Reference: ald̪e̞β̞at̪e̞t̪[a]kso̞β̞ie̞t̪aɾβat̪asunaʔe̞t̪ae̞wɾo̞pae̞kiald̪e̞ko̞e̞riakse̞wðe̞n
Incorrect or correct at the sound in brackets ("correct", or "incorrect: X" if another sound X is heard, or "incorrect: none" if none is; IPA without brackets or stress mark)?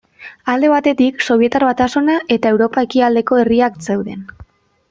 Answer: incorrect: i